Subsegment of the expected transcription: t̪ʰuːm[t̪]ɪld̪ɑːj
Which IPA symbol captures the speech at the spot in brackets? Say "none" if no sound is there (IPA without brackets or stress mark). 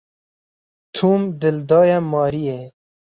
d̪